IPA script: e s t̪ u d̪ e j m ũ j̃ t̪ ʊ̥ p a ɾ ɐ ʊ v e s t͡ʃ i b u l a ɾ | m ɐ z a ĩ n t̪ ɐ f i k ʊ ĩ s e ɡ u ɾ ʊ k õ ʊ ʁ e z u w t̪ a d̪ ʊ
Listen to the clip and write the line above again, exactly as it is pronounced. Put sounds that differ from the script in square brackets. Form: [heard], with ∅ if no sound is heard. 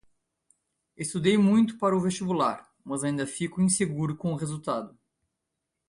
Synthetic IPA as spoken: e s t̪ u d̪ e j m ũ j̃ t̪ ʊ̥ p a ɾ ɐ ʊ v e s t͡ʃ i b u l a ɾ | m ɐ z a ĩ n [d̪] ɐ f i k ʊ ĩ s e ɡ u ɾ ʊ k õ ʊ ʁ e z u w t̪ a d̪ ʊ